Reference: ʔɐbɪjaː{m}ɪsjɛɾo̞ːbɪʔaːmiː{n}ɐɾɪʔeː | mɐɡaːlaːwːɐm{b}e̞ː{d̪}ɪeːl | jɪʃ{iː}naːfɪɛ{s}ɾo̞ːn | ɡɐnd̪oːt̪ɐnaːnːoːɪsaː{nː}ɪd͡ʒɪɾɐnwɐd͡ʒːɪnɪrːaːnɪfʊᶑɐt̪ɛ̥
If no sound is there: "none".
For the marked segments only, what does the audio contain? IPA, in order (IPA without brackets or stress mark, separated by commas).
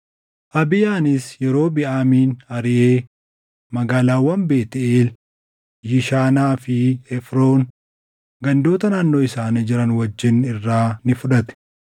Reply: n, n, b, t̪, aː, f, n